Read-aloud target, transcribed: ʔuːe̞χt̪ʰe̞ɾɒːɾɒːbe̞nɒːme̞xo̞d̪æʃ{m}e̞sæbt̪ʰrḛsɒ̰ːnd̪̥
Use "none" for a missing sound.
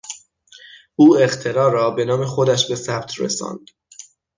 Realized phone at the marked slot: b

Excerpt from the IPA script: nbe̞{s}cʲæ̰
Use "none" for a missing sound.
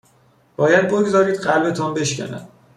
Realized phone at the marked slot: ʃ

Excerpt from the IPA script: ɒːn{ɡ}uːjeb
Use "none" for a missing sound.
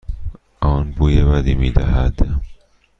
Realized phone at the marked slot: b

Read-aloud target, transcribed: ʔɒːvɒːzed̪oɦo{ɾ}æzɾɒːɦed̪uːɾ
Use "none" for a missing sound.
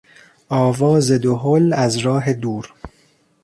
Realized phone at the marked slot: l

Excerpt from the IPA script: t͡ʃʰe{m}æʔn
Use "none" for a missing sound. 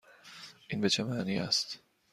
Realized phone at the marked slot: m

